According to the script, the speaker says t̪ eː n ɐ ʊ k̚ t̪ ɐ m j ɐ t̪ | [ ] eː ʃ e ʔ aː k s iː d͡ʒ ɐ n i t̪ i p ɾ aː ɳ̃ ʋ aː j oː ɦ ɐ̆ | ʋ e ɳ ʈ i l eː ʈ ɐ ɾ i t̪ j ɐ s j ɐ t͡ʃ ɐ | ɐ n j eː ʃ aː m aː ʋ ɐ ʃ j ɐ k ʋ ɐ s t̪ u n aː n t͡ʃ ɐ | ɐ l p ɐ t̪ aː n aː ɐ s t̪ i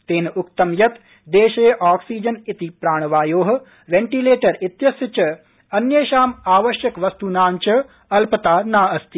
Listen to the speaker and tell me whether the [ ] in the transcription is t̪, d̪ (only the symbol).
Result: d̪